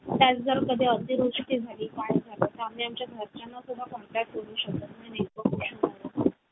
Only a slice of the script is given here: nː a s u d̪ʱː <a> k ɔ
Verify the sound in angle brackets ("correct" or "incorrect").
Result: correct